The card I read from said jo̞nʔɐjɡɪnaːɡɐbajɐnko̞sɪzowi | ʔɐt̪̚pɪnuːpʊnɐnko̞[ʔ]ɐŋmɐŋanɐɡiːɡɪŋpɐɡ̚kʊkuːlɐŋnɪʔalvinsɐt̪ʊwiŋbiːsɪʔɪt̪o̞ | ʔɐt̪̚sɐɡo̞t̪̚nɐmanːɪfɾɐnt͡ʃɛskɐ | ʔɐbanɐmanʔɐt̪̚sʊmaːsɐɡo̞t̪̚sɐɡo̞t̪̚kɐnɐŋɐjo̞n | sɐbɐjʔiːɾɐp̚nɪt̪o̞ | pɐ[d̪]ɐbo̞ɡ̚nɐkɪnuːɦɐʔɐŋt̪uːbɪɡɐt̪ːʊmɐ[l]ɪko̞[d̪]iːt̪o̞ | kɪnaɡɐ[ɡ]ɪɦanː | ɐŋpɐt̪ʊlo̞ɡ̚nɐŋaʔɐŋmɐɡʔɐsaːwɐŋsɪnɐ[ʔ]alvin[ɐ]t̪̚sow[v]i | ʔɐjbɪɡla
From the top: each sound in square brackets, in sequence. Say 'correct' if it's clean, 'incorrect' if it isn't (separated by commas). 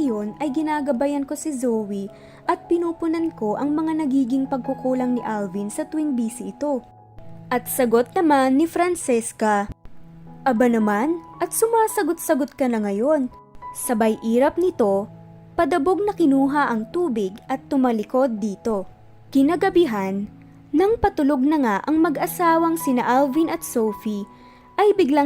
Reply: correct, correct, correct, incorrect, incorrect, correct, correct, incorrect